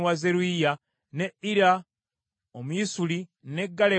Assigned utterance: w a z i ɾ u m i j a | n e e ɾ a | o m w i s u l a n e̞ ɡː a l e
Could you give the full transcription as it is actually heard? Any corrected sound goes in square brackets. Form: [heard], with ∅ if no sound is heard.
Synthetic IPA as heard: w a z [e] ɾ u [∅] i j a | n e [i] ɾ a | o m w i s u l [i] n e̞ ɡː a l e

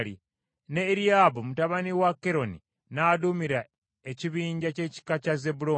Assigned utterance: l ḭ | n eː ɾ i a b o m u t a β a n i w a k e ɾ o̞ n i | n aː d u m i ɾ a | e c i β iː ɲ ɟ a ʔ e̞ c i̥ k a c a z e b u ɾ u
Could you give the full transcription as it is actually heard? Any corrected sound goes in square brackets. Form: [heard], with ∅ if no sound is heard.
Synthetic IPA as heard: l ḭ | n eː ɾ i a b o m u t a β a n i w a k e ɾ o̞ n i | n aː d u m i ɾ a | e c i β iː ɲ ɟ a [c] e̞ c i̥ k a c a z e b u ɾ [o]

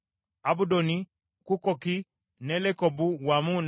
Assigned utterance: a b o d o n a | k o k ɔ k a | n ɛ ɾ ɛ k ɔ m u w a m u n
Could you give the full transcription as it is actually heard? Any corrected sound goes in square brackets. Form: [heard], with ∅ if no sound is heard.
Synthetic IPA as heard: a b [u] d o n [i] | k [u] k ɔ k [i] | n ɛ [l] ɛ k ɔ [b] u w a m u n

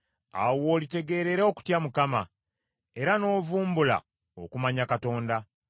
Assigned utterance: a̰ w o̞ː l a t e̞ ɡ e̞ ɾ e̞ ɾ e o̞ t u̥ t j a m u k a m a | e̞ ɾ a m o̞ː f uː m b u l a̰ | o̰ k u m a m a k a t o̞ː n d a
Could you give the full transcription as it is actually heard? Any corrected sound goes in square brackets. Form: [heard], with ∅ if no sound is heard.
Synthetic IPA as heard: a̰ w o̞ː l [i] t e̞ ɡ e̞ ɾ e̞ ɾ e o̞ [k] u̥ t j a m u k a m a | e̞ ɾ a [n] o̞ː [v] uː m b u l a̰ | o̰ k u m a [ɲ] a k a t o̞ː n d a

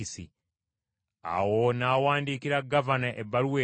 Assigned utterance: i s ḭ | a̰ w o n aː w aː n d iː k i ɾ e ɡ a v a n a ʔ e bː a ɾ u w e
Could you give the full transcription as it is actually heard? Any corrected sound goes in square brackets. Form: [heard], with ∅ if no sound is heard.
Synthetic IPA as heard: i s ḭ | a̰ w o n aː w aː n d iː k i ɾ [a] ɡ a v a n a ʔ e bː a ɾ u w e

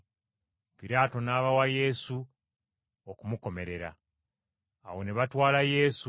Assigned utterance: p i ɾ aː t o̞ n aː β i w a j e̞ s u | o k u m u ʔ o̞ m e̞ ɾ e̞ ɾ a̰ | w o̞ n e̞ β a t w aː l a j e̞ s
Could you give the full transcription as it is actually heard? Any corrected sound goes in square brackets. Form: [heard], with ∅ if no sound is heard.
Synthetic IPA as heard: p i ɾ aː t o̞ n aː β [a] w a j e̞ s u | o k u m u [k] o̞ m e̞ ɾ e̞ ɾ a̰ | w o̞ n e̞ β a t w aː l a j e̞ s

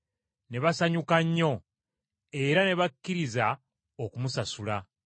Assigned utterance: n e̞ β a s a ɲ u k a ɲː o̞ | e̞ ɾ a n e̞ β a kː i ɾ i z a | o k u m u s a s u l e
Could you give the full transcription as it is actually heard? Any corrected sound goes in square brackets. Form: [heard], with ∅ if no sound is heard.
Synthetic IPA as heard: n e̞ β a s a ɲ u k a ɲː o̞ | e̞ ɾ a n e̞ β a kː i ɾ i z a | o k u m u s a s u l [a]

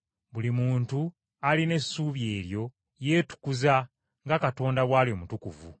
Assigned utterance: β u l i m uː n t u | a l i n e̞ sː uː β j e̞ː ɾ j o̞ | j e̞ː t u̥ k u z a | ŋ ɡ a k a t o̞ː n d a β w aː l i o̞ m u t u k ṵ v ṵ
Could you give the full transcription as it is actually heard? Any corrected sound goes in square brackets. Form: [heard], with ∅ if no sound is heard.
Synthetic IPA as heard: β u l i m uː n t u | a l i n e̞ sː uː β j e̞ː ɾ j o̞ | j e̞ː t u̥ k u z a | ŋ ɡ a k a t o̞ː n d a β w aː l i o̞ m u t u k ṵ v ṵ

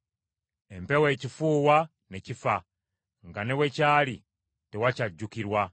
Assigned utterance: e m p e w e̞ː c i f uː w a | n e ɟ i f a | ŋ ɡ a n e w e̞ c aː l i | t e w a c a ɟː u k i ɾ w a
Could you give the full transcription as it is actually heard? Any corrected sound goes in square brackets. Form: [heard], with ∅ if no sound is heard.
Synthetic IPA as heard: e m p e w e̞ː c i f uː w a | n e [c] i f a | ŋ ɡ a n e w e̞ c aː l i | t e w a c a ɟː u k i ɾ w a

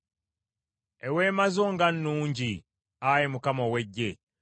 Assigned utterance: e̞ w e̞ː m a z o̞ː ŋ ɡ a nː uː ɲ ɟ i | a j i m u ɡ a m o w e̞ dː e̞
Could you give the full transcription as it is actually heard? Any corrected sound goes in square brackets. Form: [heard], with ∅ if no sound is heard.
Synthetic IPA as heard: e̞ w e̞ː m a z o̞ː ŋ ɡ a nː uː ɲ ɟ i | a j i m u [k] a m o w e̞ [ɟː] e̞

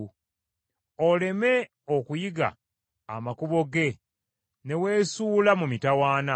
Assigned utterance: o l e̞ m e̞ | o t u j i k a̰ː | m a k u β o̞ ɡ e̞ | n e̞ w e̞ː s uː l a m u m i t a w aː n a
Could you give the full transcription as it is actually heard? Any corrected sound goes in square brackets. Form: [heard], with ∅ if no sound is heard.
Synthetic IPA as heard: o l e̞ m e̞ | o [k] u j i [ɡ] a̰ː | m a k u β o̞ ɡ e̞ | n e̞ w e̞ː s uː l a m u m i t a w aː n a

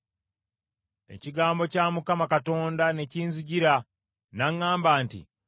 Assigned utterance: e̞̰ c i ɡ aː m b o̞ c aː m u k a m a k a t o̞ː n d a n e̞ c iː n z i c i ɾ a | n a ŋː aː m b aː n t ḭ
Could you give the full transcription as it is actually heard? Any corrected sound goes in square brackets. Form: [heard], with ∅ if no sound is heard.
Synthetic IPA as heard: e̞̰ c i ɡ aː m b o̞ c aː m u k a m a k a t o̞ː n d a n e̞ c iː n z i [ɟ] i ɾ a | n a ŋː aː m b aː n t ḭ

